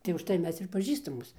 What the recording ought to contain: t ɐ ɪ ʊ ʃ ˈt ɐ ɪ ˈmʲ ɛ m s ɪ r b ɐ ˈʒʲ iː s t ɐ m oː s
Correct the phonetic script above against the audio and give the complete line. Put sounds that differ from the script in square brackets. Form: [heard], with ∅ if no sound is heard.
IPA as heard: t ɐ ɪ ʊ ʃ ˈt ɐ ɪ ˈmʲ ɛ [∅] s ɪ r [p] ɐ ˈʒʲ iː s t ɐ m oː s